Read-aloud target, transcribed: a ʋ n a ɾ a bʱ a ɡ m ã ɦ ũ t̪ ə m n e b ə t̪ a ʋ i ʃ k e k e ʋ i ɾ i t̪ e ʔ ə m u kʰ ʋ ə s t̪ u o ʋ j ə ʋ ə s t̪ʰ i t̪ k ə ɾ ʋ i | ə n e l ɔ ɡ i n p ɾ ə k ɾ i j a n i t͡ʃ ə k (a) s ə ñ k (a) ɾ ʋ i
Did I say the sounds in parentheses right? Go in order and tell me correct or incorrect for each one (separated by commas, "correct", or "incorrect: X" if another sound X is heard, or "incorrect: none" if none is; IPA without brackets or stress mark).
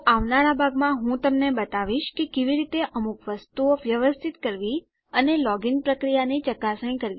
correct, incorrect: ə